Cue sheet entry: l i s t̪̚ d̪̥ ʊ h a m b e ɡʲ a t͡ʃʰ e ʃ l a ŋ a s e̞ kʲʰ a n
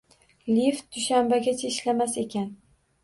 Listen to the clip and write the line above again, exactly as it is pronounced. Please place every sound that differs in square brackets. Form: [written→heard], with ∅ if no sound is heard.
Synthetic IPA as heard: l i [s→f] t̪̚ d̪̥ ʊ [h→ʃ] a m b [e→a] ɡʲ a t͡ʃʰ e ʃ l a [ŋ→m] a s e̞ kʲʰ a n